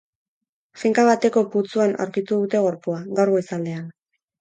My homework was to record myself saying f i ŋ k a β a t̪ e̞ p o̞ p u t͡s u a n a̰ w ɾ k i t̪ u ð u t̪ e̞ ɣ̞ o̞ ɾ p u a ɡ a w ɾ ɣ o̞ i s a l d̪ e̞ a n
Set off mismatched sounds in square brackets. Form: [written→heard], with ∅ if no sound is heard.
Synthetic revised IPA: f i ŋ k a β a t̪ e̞ [p→k] o̞ p u t͡s u a n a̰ w ɾ k i t̪ u ð u t̪ e̞ ɣ̞ o̞ ɾ p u a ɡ a w ɾ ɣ o̞ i s a l d̪ e̞ a n